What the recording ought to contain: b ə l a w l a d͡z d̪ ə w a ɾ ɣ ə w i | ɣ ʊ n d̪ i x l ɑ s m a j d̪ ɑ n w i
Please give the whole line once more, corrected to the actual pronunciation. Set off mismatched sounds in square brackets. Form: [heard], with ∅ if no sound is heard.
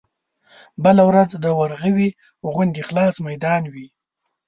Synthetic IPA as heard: b ə l a w [ɾ] a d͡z d̪ ə w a ɾ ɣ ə w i | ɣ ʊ n d̪ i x l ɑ s m a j d̪ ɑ n w i